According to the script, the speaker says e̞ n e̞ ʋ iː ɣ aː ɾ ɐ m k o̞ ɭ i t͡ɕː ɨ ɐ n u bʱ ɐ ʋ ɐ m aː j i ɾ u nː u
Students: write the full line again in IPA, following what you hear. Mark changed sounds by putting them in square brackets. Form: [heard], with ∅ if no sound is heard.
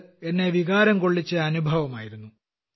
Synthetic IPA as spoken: e̞ [nː] e̞ ʋ [i] ɣ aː ɾ ɐ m k o̞ [ɭː] i t͡ɕː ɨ ɐ n u bʱ ɐ ʋ ɐ m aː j i ɾ u nː u